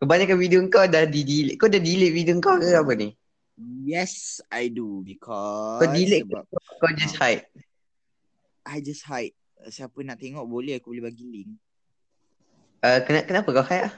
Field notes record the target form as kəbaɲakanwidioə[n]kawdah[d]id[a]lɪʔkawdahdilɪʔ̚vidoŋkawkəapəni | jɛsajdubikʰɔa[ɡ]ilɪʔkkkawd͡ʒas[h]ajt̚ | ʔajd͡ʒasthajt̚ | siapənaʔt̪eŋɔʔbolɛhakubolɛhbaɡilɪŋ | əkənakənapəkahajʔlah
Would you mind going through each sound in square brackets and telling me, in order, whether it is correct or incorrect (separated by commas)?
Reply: incorrect, correct, incorrect, incorrect, correct